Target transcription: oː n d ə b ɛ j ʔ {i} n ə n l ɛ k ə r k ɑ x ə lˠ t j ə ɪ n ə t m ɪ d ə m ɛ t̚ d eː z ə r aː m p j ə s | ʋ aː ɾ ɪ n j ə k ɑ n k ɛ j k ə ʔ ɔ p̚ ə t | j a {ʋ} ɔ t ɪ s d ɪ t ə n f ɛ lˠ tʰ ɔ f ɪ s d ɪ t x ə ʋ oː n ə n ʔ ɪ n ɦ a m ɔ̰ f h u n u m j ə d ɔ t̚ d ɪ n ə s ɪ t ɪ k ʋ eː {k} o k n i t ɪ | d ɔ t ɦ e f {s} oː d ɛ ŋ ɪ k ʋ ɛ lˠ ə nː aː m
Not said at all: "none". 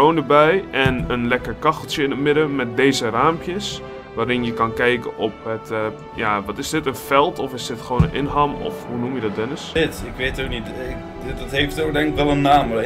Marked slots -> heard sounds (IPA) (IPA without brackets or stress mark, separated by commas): ɛ, ʋ, t, t